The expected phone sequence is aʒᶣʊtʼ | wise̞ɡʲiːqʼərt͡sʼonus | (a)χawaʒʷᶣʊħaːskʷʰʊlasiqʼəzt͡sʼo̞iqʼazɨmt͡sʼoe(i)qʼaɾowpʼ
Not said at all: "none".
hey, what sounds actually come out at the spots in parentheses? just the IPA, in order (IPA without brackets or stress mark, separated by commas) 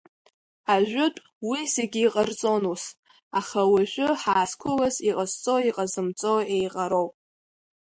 a, j